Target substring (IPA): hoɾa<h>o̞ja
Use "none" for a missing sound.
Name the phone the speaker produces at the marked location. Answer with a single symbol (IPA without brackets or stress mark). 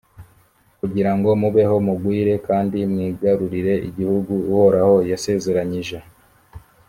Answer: h